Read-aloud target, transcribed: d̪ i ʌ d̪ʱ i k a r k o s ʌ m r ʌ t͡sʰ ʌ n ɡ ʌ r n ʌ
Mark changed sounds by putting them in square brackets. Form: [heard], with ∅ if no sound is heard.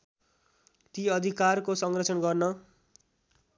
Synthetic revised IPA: [t̪] i ʌ d̪ʱ i k a r k o s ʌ [ŋ] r ʌ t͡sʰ ʌ n ɡ ʌ r n ʌ

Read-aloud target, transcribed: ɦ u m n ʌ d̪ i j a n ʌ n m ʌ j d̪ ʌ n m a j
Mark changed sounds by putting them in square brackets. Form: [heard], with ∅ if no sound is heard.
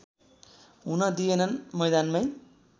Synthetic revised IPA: ɦ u [∅] n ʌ d̪ i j [e] n ʌ n m ʌ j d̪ [a] n m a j

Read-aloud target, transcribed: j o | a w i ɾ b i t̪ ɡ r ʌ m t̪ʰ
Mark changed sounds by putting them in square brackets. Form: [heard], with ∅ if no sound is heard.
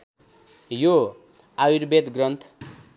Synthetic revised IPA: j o | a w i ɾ b [e] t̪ ɡ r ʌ [n] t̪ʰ

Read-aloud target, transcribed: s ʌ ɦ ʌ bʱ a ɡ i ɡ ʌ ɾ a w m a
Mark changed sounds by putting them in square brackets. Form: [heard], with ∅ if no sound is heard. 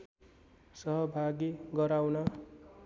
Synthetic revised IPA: s ʌ ɦ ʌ bʱ a ɡ i ɡ ʌ ɾ a w [n] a

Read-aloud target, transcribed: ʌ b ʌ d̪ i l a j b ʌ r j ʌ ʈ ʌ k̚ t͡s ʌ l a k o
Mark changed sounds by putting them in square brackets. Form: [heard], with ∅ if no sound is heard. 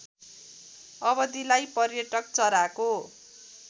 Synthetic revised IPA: ʌ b ʌ d̪ i l a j [p] ʌ r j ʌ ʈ ʌ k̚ t͡s ʌ [ɾ] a k o

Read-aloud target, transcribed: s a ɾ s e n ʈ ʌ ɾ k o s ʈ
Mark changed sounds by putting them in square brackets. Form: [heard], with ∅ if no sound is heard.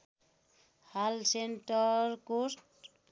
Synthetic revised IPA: [h] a [l] s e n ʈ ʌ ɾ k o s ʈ

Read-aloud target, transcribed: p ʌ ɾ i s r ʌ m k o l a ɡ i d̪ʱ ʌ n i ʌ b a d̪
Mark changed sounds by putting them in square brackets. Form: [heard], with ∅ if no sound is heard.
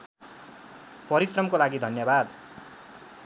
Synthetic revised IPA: p ʌ ɾ i s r ʌ m k o l a ɡ i d̪ʱ ʌ n [j] ʌ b a d̪

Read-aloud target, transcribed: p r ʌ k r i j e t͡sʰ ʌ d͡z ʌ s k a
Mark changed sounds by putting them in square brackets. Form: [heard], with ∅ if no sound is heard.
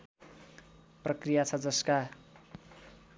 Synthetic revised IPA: p r ʌ k r i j [a] t͡sʰ ʌ d͡z ʌ s k a

